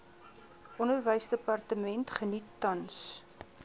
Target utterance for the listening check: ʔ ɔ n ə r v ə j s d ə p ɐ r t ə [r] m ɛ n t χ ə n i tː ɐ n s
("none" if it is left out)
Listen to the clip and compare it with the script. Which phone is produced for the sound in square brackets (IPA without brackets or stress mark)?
none